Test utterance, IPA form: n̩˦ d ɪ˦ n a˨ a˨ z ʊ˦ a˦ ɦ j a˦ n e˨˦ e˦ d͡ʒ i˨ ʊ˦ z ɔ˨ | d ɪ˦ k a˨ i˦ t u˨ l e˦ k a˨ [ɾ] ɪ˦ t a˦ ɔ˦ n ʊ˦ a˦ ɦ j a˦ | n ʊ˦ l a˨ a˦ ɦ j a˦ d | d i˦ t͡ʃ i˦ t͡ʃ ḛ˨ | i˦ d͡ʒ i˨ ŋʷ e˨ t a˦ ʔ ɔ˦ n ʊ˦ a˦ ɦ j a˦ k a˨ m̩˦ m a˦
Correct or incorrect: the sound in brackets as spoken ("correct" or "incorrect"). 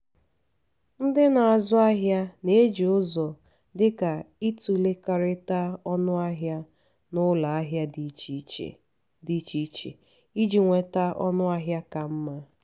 correct